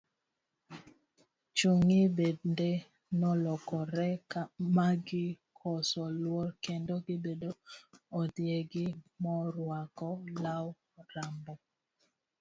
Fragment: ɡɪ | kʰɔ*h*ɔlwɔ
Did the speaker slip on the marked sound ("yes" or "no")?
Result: yes